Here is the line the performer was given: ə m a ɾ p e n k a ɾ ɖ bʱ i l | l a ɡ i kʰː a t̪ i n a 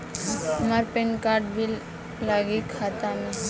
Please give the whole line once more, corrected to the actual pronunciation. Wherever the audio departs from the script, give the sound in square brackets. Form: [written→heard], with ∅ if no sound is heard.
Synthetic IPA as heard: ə m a ɾ p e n k a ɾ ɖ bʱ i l | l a ɡ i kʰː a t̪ [i→a] n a